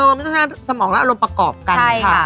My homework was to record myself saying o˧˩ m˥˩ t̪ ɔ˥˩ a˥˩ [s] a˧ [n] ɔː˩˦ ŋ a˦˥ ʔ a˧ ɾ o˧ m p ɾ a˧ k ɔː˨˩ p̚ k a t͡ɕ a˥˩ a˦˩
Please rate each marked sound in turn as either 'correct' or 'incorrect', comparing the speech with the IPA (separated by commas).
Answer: correct, incorrect